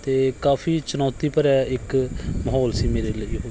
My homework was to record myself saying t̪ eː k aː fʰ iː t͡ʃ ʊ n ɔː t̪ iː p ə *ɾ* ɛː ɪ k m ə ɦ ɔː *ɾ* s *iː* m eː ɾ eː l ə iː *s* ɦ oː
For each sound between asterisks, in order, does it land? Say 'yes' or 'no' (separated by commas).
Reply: yes, no, yes, no